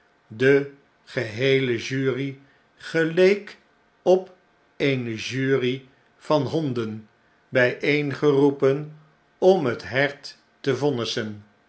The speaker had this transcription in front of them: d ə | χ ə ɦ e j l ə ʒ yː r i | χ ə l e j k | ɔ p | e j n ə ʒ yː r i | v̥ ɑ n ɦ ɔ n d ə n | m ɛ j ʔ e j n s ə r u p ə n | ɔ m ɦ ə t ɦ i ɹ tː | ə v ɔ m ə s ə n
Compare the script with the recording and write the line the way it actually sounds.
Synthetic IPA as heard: d ə | χ ə ɦ e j l ə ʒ yː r i | χ ə l e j k | ɔ p | e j n ə ʒ yː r i | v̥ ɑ n ɦ ɔ n d ə n | b ɛ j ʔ e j n χ ə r u p ə n | ɔ m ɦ ə t ɦ ɛ ɹ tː | ə v ɔ n ə s ə n